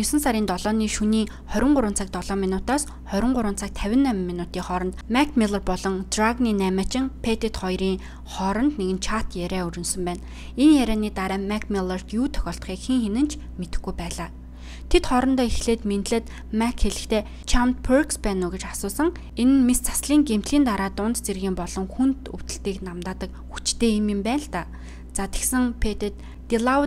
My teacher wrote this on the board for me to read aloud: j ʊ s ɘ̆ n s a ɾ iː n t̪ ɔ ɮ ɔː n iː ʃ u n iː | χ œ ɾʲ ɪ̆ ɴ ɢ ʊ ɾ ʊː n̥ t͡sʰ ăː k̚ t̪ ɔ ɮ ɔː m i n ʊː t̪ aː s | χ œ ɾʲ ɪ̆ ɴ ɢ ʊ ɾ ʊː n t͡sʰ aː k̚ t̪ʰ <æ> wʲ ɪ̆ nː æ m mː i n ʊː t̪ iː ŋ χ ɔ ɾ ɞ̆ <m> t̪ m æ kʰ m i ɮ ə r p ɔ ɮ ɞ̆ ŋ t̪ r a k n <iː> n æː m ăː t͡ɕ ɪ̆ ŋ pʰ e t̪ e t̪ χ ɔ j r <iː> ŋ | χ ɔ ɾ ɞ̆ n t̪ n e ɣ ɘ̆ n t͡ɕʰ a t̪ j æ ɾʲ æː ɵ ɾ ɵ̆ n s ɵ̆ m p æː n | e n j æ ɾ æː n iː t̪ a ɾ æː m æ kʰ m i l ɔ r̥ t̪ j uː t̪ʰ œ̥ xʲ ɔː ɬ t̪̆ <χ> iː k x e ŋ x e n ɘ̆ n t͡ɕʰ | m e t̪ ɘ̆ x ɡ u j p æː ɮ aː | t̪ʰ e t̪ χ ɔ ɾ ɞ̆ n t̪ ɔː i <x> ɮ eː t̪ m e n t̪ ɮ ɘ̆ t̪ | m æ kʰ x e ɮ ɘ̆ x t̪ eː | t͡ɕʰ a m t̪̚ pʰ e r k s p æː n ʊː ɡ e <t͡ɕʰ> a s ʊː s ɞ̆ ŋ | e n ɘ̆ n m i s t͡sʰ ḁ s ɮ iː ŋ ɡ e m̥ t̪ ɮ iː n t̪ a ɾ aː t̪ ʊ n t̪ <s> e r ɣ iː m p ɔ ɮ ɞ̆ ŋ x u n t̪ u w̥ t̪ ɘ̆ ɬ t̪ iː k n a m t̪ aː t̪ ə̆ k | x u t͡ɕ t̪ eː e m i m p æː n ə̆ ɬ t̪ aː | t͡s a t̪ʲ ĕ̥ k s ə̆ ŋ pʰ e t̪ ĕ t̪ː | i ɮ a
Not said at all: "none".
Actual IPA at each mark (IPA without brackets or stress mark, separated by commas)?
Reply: æ, n, iː, iː, χ, x, t͡ɕ, t͡s